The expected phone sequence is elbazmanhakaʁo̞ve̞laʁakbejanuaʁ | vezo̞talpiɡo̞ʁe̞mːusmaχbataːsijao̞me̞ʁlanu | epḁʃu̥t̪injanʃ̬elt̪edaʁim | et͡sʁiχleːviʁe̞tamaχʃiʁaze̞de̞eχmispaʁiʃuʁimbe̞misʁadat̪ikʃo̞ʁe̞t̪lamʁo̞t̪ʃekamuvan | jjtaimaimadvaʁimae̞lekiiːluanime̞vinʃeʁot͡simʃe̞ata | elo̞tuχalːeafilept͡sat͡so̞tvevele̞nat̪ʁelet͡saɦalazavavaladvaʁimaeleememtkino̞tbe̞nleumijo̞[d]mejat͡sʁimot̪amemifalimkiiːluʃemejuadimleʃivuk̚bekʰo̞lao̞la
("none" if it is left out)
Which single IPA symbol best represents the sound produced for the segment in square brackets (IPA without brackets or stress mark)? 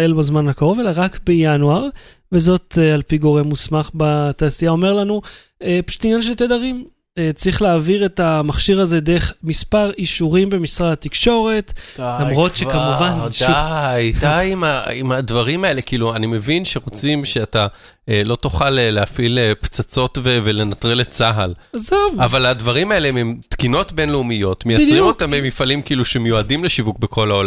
t